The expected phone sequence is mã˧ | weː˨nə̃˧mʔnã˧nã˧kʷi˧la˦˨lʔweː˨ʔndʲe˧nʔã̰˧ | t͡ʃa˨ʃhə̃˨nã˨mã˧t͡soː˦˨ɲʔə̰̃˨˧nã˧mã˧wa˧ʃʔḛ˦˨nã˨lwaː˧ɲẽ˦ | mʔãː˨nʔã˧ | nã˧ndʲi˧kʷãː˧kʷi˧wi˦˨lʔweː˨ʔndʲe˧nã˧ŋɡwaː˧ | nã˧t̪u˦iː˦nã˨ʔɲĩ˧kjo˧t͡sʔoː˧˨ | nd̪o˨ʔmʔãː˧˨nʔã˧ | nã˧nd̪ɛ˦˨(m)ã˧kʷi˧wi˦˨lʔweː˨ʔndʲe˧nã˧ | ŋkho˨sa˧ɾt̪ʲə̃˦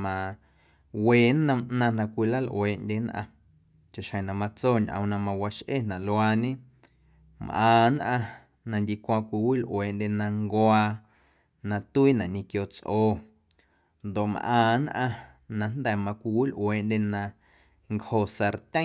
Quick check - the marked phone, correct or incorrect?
correct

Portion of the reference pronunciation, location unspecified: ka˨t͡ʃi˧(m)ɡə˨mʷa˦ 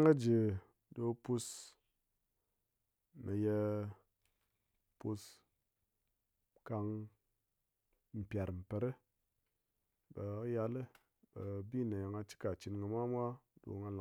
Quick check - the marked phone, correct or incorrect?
incorrect: n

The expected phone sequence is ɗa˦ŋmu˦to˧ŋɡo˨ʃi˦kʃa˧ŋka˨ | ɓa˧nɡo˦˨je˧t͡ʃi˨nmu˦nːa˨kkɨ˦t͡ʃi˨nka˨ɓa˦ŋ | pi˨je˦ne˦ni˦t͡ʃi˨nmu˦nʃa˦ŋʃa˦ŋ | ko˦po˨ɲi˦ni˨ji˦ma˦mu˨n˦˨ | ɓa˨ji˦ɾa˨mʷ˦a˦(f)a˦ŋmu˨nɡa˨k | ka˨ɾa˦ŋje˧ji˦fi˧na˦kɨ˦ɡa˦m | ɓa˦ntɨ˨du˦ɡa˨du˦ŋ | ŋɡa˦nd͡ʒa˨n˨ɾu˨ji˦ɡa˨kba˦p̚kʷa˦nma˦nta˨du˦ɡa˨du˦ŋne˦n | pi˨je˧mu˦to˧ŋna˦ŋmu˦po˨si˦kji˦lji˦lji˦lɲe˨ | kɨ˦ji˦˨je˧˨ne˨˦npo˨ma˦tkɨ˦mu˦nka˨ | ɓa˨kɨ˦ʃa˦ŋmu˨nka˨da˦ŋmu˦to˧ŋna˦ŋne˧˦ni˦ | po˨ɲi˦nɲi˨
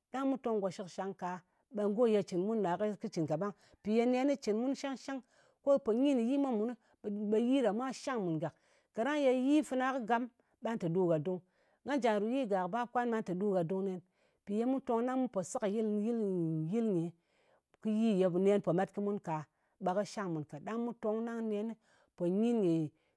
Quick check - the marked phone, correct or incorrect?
incorrect: ʃ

